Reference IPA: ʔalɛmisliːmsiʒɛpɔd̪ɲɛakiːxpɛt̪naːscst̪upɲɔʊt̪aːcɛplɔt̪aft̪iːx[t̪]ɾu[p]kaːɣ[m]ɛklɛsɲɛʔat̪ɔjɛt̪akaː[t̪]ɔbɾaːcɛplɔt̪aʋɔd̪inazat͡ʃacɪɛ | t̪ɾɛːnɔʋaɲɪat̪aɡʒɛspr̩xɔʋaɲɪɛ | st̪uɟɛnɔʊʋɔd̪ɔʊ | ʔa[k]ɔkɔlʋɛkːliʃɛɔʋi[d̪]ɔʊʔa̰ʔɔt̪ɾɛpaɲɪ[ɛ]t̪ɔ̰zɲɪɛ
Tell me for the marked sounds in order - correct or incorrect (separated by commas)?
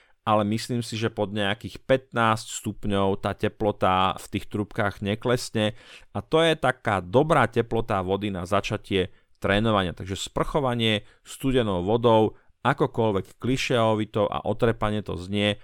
correct, correct, incorrect, incorrect, correct, incorrect, correct